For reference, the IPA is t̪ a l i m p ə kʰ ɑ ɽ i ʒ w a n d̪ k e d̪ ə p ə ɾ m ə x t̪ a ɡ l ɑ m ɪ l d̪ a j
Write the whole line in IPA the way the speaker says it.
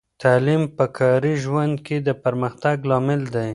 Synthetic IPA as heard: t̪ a l i m p ə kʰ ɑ ɾ i ʒ w a n d̪ k e d̪ ə p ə ɾ m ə x t̪ a ɡ l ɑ m ɪ l d̪ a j

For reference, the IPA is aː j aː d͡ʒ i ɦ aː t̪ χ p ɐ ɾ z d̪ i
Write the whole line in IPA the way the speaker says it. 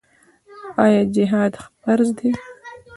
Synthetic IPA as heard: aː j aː d͡ʒ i ɦ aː d̪ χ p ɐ ɾ z d̪ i

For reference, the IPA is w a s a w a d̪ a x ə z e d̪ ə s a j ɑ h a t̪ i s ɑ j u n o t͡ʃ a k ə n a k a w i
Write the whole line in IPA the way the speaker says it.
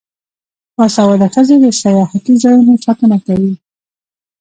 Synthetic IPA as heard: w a s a w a d̪ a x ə z e d̪ ə s a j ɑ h a t̪ i z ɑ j u n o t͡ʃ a k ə n a k a w i

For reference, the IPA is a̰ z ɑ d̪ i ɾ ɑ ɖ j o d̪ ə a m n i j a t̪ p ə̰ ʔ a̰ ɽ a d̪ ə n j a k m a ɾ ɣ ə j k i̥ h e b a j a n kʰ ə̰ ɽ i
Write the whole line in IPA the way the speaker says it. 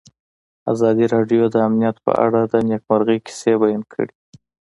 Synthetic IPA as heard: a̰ z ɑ d̪ i ɾ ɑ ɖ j o d̪ ə a m n i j a t̪ p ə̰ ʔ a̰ ɽ a d̪ ə n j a k m a ɾ ɣ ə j k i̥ s e b a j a n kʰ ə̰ ɽ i

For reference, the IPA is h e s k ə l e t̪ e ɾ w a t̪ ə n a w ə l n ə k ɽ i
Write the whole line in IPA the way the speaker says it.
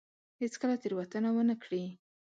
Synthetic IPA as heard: h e t͡s k ə l a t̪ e ɾ w a t̪ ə n a w ə n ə k ɽ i

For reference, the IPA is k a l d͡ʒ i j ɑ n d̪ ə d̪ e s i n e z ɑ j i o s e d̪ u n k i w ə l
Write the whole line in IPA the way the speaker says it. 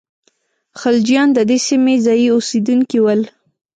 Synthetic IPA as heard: x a l d͡ʒ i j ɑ n d̪ ə d̪ e s i m e z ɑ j i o s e d̪ u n k i w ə l

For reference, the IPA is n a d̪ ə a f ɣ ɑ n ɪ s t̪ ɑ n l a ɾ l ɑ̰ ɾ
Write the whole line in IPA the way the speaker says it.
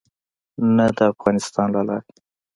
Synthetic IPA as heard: n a d̪ ə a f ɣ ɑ n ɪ s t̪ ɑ n l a l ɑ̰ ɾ

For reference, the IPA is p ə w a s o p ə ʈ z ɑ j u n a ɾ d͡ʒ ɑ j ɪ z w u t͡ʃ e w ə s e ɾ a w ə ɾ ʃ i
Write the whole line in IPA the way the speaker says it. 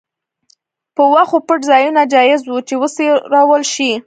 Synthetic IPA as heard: p ə w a x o p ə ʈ z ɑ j u n a d͡ʒ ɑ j ɪ z w u t͡ʃ e w ə s e ɾ ɑ w ə l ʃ i

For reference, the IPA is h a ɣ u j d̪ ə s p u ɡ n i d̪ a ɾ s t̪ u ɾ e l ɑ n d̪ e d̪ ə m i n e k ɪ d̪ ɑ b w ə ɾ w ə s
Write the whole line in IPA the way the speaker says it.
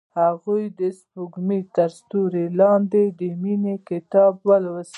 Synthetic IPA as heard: h a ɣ u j d̪ ə s p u ɡ m i t̪ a ɾ s t̪ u ɾ e l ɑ n d̪ e d̪ ə m i n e k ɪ t̪ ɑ b w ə l w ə s

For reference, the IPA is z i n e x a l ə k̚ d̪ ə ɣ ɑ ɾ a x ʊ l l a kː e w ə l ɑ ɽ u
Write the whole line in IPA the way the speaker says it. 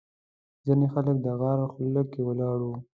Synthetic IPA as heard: z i n e x a l ə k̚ d̪ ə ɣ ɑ ɾ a x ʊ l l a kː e w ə l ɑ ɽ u

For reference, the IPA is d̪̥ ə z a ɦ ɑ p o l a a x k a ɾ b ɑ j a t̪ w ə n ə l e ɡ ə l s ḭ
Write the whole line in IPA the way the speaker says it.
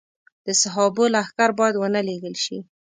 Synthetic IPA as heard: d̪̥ ə s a ɦ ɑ b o l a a x k a ɾ b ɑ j a d̪ w ə n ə l e ɡ ə l ʃ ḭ

